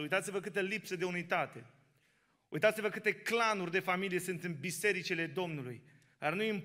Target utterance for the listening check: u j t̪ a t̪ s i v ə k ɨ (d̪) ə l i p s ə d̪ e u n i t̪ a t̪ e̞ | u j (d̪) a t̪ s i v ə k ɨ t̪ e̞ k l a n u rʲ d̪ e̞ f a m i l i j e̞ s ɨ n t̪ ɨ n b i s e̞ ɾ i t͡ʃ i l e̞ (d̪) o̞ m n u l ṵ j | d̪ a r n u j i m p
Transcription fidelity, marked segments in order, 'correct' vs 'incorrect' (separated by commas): incorrect, incorrect, correct